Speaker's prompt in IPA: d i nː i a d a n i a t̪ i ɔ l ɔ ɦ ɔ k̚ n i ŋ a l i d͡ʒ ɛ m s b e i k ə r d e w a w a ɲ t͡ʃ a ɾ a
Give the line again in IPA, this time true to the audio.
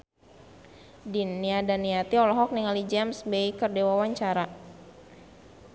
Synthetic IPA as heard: d i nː i a d a n i a t̪ i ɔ l ɔ ɦ ɔ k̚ n i ŋ a l i d͡ʒ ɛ m s b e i k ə r d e w a w a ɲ t͡ʃ a ɾ a